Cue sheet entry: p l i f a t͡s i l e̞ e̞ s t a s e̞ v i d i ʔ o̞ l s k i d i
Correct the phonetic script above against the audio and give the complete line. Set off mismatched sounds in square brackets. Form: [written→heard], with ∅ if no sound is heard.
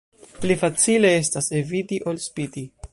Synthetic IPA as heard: p l i f a t͡s i l e̞ e̞ s t a s e̞ v i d i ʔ o̞ l s [k→p] i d i